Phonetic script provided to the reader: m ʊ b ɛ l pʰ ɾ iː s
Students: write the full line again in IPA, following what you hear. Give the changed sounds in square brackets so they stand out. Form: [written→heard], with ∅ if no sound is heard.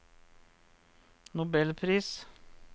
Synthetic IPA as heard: [m→n] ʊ b ɛ l pʰ ɾ iː s

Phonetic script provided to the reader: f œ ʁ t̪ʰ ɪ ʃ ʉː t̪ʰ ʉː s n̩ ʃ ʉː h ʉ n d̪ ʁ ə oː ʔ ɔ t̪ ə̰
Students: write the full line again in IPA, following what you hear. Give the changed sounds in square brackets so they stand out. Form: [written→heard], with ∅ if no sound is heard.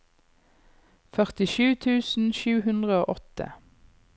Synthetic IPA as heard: f œ ʁ [t̪ʰ→t̪] ɪ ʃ ʉː t̪ʰ ʉː s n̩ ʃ ʉː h ʉ n d̪ ʁ ə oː ʔ ɔ t̪ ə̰

